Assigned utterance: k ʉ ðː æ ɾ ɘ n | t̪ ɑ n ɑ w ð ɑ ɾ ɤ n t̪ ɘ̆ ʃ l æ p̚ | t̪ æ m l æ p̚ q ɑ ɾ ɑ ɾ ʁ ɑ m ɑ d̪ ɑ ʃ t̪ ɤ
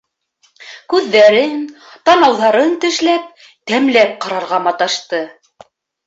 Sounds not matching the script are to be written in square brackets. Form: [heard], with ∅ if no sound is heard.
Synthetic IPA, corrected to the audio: k ʉ ðː æ ɾ ɘ n | t̪ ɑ n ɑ w ð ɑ ɾ ɤ n t̪ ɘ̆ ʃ l æ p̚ | t̪ æ m l æ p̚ q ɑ ɾ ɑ ɾ ʁ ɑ m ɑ [t̪] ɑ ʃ t̪ ɤ